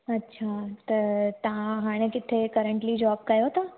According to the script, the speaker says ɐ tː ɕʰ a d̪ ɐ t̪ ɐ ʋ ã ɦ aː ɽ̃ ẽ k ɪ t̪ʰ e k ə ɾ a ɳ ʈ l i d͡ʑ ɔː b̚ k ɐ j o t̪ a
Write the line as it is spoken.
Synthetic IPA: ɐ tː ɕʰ a t̪ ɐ t̪ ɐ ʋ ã ɦ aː ɽ̃ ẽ k ɪ t̪ʰ e k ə ɾ ə ɳ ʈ l i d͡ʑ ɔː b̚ k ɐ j o t̪ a